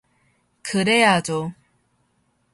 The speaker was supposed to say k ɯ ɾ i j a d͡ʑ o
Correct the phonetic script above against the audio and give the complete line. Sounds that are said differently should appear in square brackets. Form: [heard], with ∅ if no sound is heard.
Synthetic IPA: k ɯ ɾ [e] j a d͡ʑ o